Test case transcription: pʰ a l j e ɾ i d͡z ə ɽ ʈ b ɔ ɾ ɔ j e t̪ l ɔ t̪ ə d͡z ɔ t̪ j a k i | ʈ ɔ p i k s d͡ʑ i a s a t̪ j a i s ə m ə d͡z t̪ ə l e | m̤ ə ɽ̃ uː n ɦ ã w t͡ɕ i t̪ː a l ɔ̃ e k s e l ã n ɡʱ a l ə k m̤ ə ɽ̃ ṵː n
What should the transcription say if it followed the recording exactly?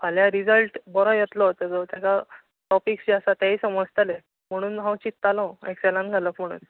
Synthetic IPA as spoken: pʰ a l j a ɾ i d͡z ə l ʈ b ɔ ɾ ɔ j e t̪ l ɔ t̪ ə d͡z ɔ t̪ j a k a | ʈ ɔ p i k s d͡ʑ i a s a t̪ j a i s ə m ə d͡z t̪ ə l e | m̤ ə ɽ̃ uː n ɦ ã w t͡ɕ i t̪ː a l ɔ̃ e k s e l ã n ɡʱ a l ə k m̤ ə ɽ̃ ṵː n